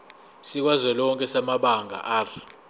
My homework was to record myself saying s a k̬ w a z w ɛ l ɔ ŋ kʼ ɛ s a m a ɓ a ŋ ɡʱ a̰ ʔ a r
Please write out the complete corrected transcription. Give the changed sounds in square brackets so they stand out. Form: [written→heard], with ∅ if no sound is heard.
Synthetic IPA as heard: s [a→i] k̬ w a z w ɛ l ɔ ŋ kʼ ɛ s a m a ɓ a ŋ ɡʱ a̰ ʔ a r